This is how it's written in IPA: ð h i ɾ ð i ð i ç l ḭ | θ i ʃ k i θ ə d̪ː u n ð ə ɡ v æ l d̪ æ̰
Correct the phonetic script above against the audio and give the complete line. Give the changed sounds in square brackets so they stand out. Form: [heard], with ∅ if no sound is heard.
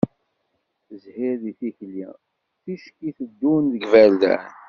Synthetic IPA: [z] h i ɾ ð i [θ] i ç l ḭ | θ i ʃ k i θ ə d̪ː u n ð ə ɡ v æ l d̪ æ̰